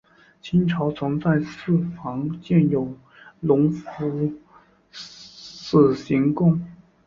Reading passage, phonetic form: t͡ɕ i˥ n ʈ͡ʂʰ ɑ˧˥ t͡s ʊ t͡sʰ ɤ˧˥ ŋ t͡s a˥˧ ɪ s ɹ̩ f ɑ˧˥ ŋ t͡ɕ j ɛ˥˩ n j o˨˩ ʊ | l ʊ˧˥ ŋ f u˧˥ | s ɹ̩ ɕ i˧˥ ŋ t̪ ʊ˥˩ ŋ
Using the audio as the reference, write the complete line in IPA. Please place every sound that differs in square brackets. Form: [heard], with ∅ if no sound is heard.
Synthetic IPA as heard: [t͡ɕʰ] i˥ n ʈ͡ʂʰ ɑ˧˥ [∅] ʊ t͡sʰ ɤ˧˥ ŋ t͡s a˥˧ ɪ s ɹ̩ f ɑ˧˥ ŋ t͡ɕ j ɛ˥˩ n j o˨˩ ʊ | l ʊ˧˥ ŋ f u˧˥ | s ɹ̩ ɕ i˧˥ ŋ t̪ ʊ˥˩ ŋ